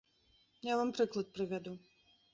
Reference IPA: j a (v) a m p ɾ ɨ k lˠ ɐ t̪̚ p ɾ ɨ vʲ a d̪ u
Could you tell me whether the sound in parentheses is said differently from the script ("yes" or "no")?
no